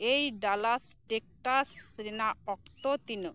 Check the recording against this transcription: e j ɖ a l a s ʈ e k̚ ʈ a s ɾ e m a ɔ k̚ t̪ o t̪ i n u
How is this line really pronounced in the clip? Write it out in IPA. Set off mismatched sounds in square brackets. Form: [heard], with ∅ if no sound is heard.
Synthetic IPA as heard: e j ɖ a l a s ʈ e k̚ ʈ a s ɾ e [n] a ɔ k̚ t̪ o t̪ i n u